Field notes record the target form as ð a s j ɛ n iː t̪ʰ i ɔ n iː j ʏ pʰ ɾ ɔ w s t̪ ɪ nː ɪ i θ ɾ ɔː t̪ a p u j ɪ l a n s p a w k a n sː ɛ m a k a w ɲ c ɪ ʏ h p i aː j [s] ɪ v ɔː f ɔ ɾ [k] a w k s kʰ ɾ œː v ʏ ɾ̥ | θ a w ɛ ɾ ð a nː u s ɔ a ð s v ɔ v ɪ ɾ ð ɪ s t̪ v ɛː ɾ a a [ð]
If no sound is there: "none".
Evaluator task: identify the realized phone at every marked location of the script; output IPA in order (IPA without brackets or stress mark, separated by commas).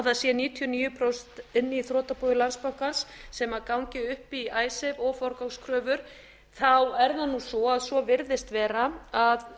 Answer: s, k, ð